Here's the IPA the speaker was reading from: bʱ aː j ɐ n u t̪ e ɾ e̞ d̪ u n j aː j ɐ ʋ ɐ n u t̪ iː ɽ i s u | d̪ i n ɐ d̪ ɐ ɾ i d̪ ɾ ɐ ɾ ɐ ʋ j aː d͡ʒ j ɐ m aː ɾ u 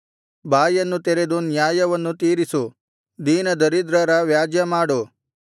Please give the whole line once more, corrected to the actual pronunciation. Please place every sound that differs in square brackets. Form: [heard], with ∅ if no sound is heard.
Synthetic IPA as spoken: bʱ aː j ɐ [nː] u t̪ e ɾ e̞ d̪ u n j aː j ɐ ʋ ɐ [nː] u t̪ iː [ɾ] i s u | d̪ [iː] n ɐ d̪ ɐ ɾ i d̪ ɾ ɐ ɾ ɐ ʋ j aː d͡ʒ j ɐ m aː [ɽ] u